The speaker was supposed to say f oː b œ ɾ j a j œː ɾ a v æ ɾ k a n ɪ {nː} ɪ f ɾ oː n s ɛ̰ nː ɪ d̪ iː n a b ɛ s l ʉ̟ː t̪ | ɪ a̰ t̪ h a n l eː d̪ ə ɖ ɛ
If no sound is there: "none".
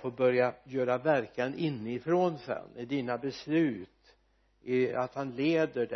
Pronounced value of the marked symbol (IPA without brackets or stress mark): nː